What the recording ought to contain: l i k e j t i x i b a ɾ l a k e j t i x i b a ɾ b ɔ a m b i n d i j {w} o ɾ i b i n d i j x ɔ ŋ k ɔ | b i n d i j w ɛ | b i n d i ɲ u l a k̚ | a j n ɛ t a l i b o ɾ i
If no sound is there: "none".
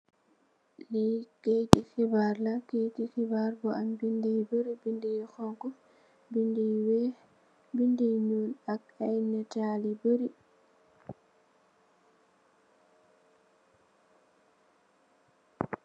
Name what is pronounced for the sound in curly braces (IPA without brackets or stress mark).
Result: b